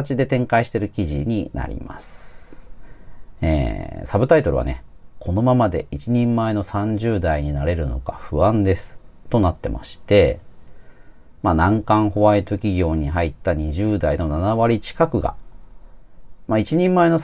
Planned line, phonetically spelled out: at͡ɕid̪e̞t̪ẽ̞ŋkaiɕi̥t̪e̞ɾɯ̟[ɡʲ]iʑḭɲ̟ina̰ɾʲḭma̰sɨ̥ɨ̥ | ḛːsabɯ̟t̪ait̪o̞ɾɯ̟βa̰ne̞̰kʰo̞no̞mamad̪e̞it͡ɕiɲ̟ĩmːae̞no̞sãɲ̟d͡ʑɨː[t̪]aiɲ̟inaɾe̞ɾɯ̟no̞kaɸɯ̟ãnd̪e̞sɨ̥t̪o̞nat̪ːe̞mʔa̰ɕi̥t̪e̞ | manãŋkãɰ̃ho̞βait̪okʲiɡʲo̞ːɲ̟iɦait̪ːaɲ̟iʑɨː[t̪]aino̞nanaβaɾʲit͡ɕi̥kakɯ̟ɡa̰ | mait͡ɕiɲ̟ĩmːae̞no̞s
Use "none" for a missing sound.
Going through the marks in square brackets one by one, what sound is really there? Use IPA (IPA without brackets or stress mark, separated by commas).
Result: kʲ, d̪, d̪